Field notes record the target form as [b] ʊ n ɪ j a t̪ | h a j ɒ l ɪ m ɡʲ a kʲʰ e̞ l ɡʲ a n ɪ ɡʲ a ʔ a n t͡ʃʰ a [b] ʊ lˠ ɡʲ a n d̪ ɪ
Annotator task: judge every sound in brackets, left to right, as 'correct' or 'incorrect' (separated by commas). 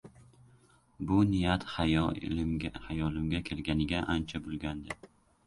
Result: correct, correct